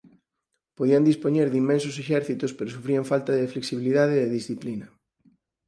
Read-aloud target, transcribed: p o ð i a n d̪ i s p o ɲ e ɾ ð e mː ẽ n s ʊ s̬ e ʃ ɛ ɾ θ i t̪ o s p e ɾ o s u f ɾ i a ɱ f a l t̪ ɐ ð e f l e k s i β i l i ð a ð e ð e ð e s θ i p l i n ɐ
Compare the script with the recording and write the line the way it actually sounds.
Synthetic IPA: p o ð i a n d̪ i s p o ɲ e ɾ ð i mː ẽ n s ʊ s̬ e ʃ ɛ ɾ θ i t̪ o s p e ɾ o s u f ɾ i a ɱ f a l t̪ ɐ ð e f l e k s i β i l i ð a ð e ð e ð i s θ i p l i n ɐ